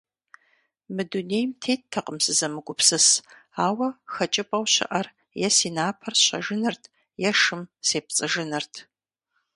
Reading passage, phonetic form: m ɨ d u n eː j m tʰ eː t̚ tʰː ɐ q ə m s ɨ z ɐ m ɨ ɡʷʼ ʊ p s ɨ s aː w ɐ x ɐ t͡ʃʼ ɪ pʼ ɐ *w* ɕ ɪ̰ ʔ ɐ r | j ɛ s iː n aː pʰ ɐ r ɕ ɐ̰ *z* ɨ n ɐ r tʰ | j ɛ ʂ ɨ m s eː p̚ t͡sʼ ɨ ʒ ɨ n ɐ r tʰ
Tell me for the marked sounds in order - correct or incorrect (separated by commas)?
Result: correct, incorrect